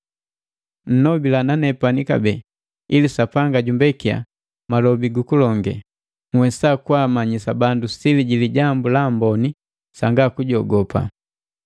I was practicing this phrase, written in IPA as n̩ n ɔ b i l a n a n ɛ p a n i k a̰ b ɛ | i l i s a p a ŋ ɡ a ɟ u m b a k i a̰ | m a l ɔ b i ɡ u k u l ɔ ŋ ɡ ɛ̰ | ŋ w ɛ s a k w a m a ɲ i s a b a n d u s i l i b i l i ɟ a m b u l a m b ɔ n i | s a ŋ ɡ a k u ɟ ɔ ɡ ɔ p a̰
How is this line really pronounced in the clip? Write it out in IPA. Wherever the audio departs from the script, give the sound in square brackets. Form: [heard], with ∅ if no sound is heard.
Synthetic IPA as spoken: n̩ n ɔ b i l a n a n ɛ p a n i k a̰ b ɛ | i l i s a p a ŋ ɡ a ɟ u m b [ɛ] k i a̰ | m a l ɔ b i ɡ u k u l ɔ ŋ ɡ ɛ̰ | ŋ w ɛ s a k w a m a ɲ i s a b a n d u s i l i [ɟ] i l i ɟ a m b u l a m b ɔ n i | s a ŋ ɡ a k u ɟ ɔ ɡ ɔ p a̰